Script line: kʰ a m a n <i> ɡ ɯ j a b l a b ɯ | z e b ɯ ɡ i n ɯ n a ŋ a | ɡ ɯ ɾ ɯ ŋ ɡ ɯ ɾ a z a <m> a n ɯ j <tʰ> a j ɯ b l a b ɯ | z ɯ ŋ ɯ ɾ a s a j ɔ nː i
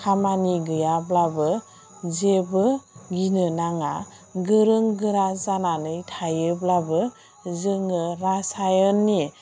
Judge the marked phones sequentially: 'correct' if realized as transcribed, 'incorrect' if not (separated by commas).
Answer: correct, incorrect, correct